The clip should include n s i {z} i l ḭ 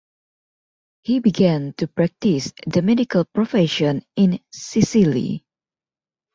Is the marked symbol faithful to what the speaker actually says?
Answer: no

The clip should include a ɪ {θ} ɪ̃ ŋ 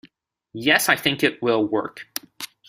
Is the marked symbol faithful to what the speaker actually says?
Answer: yes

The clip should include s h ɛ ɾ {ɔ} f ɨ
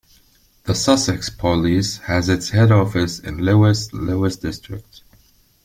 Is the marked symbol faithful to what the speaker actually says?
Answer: yes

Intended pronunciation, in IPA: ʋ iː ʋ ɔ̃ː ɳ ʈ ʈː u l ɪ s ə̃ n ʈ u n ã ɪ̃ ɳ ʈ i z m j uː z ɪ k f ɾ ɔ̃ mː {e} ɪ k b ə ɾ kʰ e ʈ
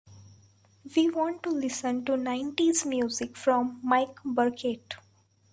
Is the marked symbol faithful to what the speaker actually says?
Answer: no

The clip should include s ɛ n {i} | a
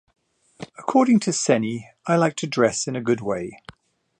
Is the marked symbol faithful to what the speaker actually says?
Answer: yes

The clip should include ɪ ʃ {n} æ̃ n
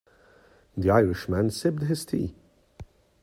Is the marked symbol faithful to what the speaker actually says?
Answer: no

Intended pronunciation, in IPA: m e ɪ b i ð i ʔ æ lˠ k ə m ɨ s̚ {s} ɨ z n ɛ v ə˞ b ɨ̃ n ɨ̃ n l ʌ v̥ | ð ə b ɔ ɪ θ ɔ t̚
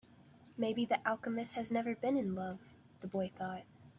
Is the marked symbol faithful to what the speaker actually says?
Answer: no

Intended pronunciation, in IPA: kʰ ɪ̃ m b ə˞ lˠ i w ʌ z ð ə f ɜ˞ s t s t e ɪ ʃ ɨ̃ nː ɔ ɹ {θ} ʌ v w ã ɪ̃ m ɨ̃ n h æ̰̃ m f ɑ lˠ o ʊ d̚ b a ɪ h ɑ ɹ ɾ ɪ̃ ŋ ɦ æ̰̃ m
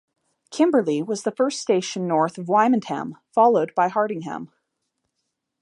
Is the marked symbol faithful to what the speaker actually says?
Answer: yes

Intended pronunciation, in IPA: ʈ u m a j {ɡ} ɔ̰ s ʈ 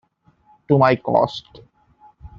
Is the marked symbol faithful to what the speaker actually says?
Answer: no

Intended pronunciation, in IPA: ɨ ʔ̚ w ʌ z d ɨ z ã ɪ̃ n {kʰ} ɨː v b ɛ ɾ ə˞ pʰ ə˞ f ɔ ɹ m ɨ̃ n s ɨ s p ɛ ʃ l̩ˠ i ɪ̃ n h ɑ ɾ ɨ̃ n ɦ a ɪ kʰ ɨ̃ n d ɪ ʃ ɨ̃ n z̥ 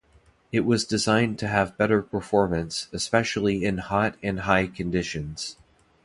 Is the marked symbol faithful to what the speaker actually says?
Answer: no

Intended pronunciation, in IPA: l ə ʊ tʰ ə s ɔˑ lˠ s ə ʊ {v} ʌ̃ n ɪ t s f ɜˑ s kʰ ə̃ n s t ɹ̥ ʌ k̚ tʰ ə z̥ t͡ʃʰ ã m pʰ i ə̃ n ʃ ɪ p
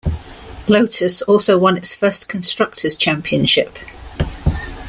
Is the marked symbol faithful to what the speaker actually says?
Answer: no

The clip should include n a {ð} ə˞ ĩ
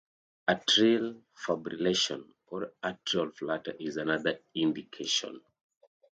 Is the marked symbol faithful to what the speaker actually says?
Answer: yes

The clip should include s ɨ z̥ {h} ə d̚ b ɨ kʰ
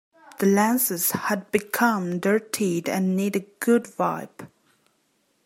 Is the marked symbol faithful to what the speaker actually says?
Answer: yes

